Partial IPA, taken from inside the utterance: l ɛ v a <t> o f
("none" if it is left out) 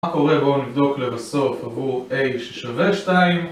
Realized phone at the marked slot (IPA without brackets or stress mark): s